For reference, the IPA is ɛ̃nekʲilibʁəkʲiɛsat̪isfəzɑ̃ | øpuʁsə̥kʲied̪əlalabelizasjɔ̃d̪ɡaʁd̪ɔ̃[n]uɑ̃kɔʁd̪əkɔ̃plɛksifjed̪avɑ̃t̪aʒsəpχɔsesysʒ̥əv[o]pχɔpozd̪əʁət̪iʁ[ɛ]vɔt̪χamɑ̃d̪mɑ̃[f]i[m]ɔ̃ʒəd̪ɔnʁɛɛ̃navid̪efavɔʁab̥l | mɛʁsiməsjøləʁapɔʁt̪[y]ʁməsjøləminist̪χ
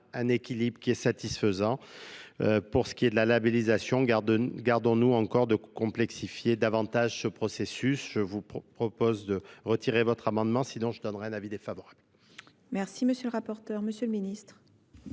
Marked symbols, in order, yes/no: yes, no, no, no, no, no

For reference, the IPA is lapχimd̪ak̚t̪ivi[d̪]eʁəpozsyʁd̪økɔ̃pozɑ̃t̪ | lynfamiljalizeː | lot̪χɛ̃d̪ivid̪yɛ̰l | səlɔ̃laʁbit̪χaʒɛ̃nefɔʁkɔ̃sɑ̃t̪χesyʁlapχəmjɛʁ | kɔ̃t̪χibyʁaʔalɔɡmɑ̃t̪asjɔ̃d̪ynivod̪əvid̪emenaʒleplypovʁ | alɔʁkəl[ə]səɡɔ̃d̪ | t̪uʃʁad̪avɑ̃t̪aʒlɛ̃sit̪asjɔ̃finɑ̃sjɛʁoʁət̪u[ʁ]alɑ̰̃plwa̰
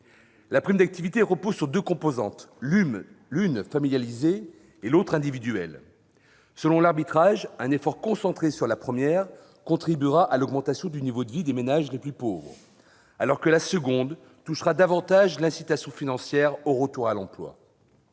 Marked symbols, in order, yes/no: no, no, yes

